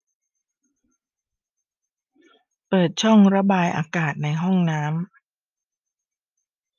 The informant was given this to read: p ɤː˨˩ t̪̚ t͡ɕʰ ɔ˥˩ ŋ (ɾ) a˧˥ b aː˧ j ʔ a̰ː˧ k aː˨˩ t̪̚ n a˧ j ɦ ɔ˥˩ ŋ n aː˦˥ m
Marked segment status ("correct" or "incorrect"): correct